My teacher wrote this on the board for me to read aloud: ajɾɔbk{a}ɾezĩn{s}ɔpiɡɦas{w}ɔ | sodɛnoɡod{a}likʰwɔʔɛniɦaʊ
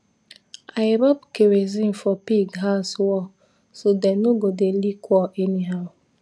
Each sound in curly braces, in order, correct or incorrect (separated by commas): incorrect, incorrect, correct, incorrect